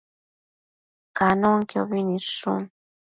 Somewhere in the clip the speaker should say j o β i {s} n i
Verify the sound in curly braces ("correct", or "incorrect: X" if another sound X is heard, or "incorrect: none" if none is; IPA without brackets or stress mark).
incorrect: none